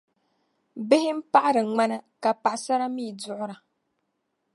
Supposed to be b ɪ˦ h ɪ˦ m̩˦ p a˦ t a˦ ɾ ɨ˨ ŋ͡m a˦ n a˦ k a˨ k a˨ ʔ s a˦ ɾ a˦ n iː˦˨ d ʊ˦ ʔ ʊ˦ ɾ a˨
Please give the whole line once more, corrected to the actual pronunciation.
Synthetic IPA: b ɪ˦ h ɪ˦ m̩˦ p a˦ ʔ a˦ ɾ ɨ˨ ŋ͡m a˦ n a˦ k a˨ p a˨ ʔ s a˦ ɾ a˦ m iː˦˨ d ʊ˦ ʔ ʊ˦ ɾ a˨